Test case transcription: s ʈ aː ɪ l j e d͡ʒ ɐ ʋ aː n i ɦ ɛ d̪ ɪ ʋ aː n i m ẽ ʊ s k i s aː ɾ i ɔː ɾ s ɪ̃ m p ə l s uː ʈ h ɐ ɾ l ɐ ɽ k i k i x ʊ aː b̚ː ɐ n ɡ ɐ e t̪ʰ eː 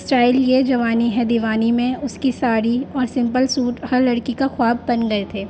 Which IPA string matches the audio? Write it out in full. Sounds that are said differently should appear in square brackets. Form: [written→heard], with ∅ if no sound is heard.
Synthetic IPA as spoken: s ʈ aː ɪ l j e d͡ʒ ɐ ʋ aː n i ɦ ɛ d̪ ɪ ʋ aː n i m ẽ ʊ s k i s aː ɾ i ɔː ɾ s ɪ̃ m p ə l s uː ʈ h ɐ ɾ l ɐ ɽ k i k [i→a] x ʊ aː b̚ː ɐ n ɡ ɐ e t̪ʰ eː